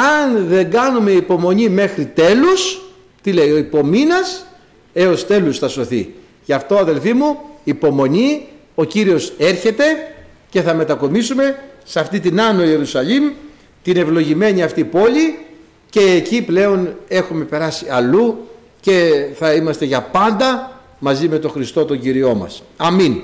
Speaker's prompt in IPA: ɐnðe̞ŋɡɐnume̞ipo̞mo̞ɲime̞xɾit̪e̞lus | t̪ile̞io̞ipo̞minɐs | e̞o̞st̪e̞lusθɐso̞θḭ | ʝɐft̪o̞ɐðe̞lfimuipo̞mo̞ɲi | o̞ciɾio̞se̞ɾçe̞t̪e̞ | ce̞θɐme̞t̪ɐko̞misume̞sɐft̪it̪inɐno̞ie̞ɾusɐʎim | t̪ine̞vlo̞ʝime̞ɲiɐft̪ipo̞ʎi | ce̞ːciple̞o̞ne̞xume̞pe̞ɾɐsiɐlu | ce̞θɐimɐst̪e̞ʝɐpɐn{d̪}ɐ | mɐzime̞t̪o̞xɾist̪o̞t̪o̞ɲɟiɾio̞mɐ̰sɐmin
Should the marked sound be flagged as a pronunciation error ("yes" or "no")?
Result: no